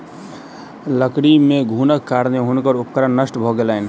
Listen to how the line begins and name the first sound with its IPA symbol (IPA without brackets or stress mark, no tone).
l